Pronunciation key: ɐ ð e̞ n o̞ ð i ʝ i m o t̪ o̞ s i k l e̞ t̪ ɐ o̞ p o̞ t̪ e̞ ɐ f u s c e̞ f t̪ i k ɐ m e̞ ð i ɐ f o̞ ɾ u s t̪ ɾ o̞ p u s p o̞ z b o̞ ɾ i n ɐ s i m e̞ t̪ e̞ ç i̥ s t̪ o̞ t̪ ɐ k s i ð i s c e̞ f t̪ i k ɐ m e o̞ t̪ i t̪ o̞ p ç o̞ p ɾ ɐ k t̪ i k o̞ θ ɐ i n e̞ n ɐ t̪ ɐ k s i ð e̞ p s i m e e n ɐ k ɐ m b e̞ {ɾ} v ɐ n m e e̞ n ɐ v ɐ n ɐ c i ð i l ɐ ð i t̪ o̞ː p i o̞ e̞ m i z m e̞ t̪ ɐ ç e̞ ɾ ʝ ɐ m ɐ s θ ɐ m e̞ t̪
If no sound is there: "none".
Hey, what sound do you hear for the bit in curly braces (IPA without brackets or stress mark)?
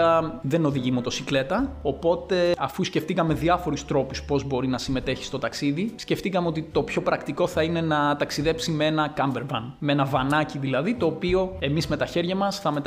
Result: ɾ